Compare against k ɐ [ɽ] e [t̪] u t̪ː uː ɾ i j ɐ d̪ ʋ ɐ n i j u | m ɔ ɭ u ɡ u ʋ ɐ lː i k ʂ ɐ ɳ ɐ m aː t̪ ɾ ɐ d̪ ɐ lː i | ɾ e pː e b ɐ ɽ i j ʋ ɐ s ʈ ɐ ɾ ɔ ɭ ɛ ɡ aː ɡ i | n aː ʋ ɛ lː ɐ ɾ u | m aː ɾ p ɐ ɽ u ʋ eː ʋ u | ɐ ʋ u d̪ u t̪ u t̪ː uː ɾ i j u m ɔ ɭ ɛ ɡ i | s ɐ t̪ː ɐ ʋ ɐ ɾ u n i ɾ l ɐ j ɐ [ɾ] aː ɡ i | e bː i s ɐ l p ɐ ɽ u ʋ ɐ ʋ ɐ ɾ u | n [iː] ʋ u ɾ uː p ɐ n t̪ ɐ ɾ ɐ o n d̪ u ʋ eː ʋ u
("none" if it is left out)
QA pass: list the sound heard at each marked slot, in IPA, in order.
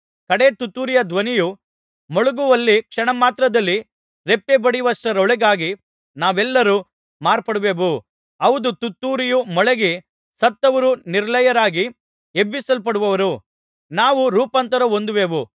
ɽ, t̪, ɾ, aː

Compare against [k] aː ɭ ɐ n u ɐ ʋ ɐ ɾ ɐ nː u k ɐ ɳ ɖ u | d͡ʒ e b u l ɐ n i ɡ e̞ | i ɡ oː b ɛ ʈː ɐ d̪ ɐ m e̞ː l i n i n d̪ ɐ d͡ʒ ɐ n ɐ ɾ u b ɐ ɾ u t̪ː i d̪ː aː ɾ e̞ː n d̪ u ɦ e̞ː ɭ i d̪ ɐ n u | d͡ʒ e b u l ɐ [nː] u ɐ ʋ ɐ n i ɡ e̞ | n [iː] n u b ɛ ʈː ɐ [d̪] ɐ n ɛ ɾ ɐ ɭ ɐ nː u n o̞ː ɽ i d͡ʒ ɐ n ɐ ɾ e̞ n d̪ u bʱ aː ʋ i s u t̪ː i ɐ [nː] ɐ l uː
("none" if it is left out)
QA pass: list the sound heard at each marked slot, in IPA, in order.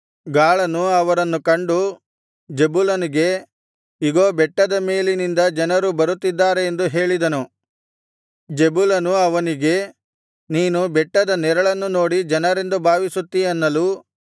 ɡ, n, iː, d̪, nː

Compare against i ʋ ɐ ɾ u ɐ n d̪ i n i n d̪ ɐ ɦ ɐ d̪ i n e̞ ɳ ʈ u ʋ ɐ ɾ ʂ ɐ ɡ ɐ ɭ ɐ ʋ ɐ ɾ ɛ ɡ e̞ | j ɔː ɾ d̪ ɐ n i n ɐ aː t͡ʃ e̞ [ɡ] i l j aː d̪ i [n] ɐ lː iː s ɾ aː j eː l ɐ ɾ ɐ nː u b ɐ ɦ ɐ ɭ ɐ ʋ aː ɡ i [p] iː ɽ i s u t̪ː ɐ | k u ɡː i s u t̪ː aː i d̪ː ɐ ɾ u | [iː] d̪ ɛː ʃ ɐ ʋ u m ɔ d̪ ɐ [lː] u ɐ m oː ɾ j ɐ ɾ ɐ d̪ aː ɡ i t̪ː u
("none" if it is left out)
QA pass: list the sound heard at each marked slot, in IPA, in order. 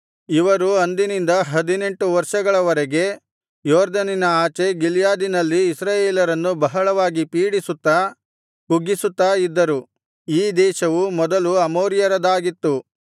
ɡ, n, p, iː, l

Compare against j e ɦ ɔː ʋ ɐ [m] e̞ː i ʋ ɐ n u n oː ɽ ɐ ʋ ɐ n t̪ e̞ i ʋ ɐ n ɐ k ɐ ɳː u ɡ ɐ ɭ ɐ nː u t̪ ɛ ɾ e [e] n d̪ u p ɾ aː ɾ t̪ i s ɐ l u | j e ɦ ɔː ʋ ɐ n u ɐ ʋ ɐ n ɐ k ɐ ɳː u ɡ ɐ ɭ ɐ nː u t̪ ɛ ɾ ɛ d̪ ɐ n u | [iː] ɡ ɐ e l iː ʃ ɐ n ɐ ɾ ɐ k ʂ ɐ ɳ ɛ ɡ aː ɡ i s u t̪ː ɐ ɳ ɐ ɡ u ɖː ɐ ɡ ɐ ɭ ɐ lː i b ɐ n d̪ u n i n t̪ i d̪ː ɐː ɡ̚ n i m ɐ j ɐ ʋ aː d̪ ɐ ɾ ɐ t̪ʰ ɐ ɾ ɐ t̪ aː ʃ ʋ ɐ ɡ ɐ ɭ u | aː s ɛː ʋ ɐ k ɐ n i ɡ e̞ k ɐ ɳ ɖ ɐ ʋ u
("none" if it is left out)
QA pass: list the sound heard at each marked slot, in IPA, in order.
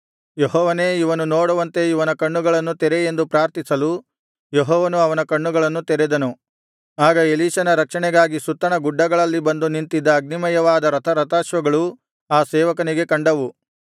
n, e, aː

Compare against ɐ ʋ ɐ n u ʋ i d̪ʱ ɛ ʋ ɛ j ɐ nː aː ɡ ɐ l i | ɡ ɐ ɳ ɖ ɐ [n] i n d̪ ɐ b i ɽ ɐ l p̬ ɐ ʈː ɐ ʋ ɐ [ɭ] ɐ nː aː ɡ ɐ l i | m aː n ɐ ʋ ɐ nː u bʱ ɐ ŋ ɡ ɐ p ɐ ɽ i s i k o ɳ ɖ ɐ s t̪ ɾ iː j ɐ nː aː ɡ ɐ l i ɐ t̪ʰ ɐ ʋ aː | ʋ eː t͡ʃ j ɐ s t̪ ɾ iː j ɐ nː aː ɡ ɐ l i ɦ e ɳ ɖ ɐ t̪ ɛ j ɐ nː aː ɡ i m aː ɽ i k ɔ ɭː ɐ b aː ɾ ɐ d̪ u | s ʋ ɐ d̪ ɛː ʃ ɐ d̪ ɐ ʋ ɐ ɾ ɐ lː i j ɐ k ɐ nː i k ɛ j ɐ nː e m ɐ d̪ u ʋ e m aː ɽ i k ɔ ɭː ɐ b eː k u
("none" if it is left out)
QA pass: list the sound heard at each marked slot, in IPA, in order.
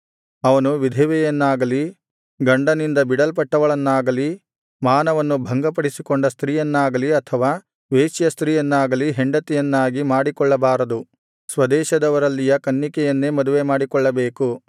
n, ɭ

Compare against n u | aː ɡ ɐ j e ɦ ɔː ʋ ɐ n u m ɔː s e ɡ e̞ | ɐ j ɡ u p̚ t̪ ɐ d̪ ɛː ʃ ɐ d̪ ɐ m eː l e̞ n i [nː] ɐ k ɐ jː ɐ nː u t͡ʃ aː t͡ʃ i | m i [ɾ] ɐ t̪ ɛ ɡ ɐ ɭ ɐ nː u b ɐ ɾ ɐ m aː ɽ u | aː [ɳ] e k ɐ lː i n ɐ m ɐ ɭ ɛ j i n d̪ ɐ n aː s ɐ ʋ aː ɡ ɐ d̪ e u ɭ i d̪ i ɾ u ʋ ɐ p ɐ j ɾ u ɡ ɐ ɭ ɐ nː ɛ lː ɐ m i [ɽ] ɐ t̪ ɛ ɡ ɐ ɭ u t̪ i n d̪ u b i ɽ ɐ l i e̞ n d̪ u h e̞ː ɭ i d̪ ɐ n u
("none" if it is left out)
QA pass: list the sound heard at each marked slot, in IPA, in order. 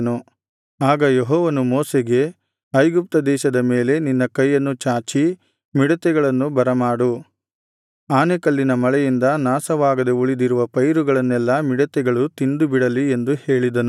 nː, ɽ, n, ɽ

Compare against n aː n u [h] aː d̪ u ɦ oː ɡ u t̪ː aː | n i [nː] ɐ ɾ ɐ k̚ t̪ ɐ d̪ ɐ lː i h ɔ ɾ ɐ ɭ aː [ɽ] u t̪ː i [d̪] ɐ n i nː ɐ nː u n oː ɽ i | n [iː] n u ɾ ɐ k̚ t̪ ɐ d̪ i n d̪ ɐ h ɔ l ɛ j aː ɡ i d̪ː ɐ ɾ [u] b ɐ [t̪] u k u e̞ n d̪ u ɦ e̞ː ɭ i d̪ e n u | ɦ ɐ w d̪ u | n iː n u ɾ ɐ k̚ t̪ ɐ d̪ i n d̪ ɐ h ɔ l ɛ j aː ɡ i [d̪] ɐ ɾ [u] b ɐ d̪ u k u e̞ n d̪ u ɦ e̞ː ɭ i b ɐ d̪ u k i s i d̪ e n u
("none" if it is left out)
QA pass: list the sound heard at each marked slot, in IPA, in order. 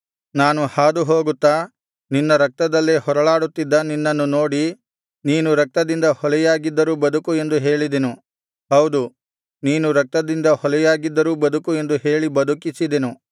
h, nː, ɽ, d̪ː, iː, uː, d̪, d̪ː, uː

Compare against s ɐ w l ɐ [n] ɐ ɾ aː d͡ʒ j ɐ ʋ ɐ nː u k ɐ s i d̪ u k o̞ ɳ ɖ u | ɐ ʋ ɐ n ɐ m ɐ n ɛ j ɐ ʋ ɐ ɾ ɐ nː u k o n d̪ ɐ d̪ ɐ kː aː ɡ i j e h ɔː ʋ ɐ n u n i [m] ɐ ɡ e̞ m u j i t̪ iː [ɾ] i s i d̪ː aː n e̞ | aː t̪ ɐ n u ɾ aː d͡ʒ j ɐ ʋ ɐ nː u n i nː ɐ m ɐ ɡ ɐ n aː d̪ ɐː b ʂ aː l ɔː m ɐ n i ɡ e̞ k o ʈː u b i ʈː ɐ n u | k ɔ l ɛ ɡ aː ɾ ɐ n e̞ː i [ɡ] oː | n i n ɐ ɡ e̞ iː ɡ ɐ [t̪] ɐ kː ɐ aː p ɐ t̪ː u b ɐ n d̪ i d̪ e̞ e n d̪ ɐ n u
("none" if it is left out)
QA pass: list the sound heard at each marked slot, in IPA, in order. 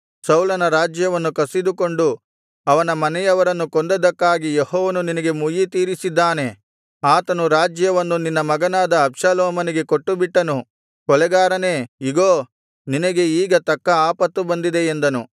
n, n, ɾ, ɡ, t̪

